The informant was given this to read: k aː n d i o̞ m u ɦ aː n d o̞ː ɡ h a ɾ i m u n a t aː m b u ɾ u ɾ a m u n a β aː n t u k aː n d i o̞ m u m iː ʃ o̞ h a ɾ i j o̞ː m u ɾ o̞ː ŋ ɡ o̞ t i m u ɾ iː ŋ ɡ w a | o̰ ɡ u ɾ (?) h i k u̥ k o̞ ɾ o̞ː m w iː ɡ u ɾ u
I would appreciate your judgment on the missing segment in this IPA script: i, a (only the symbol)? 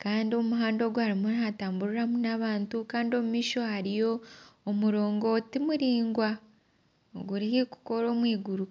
i